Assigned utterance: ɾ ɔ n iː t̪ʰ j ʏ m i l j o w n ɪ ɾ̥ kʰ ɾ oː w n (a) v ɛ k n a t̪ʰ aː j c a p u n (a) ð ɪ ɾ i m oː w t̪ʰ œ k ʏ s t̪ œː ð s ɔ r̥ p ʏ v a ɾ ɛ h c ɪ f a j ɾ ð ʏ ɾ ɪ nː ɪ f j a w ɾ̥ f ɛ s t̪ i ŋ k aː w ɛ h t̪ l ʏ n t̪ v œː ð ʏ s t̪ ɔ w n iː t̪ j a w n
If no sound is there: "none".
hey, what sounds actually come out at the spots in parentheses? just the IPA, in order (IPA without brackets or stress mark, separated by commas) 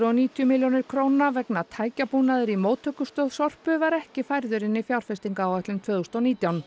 a, a